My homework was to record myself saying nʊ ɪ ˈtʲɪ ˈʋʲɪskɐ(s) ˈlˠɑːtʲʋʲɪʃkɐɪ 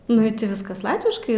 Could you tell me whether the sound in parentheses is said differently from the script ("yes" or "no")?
no